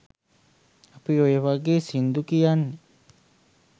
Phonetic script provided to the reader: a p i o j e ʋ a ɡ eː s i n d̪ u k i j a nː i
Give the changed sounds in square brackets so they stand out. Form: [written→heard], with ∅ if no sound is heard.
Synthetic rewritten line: a p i o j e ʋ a ɡ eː s i n d̪ u k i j a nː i